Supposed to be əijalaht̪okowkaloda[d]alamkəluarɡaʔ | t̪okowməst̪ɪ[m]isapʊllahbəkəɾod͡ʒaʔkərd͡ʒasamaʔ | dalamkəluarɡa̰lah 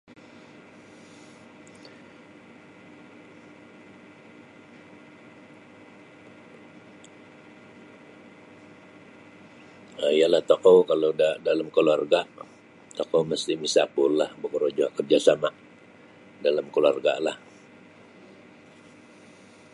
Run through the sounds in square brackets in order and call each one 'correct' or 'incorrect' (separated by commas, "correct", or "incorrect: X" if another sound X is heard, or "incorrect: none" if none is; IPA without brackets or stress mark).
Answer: correct, correct